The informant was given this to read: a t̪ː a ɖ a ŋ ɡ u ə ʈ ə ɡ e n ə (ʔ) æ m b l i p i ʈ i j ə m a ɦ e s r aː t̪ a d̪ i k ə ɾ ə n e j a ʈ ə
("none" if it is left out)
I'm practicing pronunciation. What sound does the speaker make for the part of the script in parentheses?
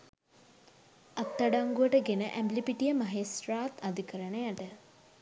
ʔ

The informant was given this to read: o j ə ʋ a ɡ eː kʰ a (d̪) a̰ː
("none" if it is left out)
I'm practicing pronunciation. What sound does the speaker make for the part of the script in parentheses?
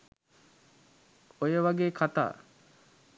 t̪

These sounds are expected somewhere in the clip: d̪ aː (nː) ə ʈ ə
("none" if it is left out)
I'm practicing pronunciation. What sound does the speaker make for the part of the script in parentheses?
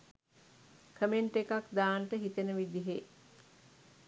n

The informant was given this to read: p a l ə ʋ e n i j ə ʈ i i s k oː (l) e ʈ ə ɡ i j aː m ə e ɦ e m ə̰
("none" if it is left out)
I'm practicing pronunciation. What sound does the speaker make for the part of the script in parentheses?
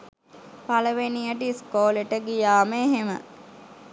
l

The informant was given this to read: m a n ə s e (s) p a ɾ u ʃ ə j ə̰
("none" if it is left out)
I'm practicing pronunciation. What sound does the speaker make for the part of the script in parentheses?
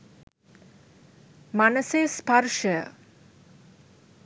s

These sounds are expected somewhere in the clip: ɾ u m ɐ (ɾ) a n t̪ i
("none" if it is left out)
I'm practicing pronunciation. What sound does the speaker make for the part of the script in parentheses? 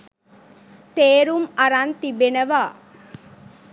ɾ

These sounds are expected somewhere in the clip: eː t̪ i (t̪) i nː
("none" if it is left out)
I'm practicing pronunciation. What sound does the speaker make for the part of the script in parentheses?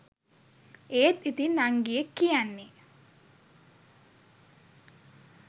t̪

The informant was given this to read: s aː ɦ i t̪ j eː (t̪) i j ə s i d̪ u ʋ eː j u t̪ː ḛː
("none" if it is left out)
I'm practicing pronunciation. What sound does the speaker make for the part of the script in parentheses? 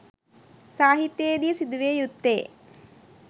d̪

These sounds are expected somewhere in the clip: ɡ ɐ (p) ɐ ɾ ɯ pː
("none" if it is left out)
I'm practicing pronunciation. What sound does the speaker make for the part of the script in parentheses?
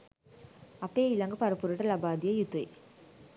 p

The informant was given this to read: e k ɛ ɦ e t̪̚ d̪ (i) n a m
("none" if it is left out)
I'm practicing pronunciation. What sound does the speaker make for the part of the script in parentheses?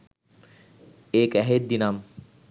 i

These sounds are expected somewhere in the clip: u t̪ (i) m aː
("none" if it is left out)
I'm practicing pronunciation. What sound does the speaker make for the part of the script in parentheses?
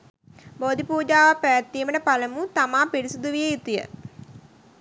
a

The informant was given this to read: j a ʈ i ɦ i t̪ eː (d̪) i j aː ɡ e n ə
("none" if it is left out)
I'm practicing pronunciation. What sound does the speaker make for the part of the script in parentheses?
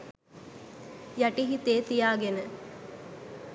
t̪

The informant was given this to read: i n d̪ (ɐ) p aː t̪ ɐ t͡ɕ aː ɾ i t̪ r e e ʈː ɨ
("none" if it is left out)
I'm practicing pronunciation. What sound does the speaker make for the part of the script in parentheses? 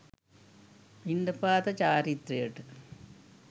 ɐ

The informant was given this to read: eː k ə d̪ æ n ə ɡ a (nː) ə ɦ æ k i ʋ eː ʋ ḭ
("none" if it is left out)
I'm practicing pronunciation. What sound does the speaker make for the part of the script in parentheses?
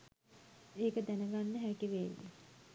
nː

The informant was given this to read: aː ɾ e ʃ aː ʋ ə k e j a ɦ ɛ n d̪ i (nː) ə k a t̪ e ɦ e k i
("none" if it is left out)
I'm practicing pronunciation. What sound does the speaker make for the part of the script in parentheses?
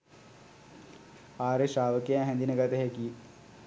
n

